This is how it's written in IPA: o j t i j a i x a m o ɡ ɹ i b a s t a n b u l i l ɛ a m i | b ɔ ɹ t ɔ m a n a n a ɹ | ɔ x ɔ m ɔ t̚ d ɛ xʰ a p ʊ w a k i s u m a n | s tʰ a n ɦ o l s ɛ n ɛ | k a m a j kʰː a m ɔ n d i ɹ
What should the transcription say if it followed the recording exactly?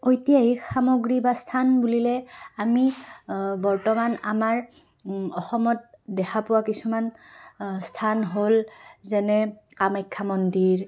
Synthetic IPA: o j t i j a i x a m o ɡ ɹ i b a s tʰ a n b u l i l ɛ a m i | b ɔ ɹ t ɔ m a n a m a ɹ | ɔ x ɔ m ɔ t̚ d ɛ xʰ a p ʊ w a k i s u m a n | s tʰ a n ɦ o l z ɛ n ɛ | k a m a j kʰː a m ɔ n d i ɹ